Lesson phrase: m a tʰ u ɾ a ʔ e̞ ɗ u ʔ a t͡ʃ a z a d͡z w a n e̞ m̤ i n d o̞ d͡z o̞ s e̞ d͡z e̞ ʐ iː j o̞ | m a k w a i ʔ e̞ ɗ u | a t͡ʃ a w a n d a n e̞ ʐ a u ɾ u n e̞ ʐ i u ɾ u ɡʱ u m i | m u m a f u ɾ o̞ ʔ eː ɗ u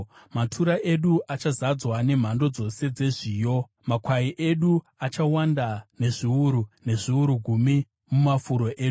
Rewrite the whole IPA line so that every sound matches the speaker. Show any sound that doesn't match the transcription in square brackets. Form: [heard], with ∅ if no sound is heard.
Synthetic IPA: m a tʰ u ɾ a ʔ e̞ ɗ u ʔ a t͡ʃ a z a d͡z w a n e̞ m̤ [a] n d o̞ d͡z o̞ s e̞ d͡z e̞ ʐ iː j o̞ | m a k w a i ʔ e̞ ɗ u | a t͡ʃ a w a n d a n e̞ ʐ [i] u ɾ u n e̞ ʐ i u ɾ u ɡʱ u m i | m u m a f u ɾ o̞ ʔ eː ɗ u